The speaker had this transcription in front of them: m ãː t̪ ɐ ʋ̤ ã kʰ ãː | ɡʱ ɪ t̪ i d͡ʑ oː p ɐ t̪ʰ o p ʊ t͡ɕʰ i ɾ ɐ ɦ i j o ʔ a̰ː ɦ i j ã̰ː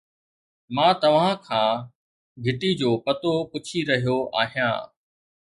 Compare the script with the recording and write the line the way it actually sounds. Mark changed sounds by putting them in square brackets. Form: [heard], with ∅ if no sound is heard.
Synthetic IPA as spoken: m ãː t̪ ɐ ʋ̤ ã kʰ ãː | ɡʱ ɪ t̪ i d͡ʑ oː p ɐ [t̪] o p ʊ t͡ɕʰ i ɾ ɐ ɦ i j o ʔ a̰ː ɦ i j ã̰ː